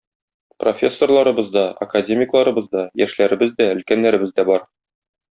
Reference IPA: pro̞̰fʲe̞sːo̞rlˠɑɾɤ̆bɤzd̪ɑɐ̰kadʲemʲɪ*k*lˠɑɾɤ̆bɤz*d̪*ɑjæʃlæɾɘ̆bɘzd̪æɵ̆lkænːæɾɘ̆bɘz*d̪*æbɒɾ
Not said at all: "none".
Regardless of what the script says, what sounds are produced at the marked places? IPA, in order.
k, d̪, d̪

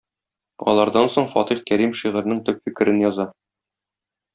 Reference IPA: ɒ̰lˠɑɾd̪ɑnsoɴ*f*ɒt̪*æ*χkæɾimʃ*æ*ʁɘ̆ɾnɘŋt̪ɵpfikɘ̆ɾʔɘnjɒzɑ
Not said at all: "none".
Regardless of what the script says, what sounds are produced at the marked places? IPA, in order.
f, i, i

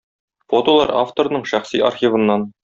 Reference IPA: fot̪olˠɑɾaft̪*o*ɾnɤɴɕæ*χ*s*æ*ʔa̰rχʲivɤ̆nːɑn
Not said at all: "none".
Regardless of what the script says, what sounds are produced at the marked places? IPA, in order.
o, χ, i

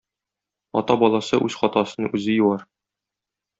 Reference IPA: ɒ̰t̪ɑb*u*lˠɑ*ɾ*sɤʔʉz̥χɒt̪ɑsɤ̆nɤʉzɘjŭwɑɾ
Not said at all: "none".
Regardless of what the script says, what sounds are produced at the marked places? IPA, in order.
ɒ, none

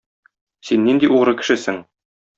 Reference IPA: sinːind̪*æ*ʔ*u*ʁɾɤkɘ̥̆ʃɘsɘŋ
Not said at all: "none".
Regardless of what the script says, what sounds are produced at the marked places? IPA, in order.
i, u

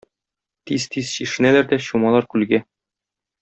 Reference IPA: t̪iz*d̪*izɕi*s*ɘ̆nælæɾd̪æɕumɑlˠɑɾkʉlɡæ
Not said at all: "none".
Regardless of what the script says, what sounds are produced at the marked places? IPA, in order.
t̪, ʃ

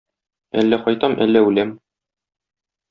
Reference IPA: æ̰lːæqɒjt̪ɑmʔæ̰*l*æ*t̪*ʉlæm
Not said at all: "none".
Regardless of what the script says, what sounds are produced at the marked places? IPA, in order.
lː, none

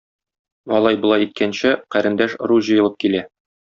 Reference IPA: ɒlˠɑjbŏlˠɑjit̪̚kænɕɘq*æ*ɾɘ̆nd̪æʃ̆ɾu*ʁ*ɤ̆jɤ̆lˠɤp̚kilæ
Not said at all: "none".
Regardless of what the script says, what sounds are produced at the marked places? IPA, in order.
æ, ʑ

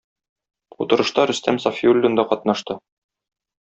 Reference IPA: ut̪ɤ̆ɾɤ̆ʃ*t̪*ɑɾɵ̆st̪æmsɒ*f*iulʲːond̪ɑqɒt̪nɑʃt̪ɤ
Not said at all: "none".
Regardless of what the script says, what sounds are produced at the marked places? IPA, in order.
t̪, f

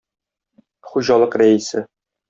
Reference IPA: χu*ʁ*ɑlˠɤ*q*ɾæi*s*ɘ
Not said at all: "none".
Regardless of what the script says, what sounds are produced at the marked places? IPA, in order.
ʑ, q, s

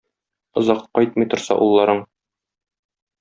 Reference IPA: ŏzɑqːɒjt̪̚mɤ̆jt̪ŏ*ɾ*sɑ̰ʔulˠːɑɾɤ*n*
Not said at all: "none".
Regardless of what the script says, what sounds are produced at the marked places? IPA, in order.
ɾ, ɴ

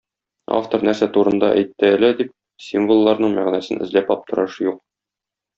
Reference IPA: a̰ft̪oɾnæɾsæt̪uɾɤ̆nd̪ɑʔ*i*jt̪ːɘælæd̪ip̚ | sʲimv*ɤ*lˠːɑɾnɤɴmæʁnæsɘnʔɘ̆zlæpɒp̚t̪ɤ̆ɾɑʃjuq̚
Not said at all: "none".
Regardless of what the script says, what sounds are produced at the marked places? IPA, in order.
æ, o

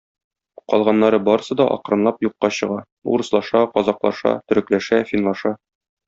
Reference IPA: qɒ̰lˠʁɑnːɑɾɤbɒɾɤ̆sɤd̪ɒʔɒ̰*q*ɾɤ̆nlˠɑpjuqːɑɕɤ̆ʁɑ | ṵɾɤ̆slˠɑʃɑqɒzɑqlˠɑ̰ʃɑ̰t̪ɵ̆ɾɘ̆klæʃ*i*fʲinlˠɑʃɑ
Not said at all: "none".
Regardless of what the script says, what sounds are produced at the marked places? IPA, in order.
q, æ

